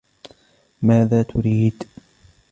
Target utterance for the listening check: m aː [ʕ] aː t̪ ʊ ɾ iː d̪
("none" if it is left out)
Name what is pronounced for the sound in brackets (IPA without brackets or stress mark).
ð